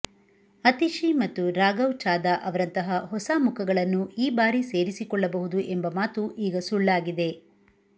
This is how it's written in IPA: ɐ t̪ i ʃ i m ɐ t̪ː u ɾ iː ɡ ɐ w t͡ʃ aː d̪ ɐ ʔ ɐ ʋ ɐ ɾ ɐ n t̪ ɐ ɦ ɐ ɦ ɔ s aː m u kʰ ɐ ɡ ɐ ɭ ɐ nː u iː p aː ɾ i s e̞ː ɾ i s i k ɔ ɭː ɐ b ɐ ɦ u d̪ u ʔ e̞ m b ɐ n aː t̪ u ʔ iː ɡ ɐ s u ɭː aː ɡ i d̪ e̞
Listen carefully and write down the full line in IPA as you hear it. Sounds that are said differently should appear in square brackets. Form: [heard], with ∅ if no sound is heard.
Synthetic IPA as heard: ɐ t̪ i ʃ i m ɐ t̪ː u ɾ [aː] ɡ ɐ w t͡ʃ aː d̪ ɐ ʔ ɐ ʋ ɐ ɾ ɐ n t̪ ɐ ɦ ɐ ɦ ɔ s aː m u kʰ ɐ ɡ ɐ ɭ ɐ nː u iː [b] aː ɾ i s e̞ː ɾ i s i k ɔ ɭː ɐ b ɐ ɦ u d̪ u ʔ e̞ m b ɐ [m] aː t̪ u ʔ iː ɡ ɐ s u ɭː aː ɡ i d̪ e̞